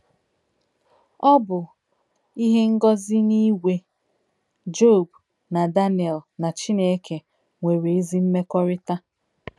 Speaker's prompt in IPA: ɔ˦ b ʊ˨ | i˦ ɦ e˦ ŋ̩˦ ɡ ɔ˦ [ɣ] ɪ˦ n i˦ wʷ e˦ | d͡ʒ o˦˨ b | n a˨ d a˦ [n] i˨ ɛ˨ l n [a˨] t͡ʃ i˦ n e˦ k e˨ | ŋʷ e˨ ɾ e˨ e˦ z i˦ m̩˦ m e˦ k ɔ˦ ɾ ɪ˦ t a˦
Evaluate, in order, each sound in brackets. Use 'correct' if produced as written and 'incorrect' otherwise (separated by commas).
incorrect, correct, correct